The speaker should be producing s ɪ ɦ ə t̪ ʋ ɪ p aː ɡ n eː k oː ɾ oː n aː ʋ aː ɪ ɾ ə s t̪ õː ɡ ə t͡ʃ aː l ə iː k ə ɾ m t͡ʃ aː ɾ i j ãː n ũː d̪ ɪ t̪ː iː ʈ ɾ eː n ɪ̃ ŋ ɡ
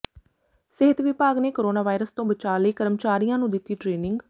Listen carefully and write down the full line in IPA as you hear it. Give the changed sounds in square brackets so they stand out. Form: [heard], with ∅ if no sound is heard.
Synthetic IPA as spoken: s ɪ ɦ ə t̪ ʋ ɪ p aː ɡ n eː k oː ɾ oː n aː ʋ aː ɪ ɾ ə s t̪ õː [b] ə t͡ʃ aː l ə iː k ə ɾ m t͡ʃ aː ɾ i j ãː n ũː d̪ ɪ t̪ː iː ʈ ɾ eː n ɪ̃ ŋ ɡ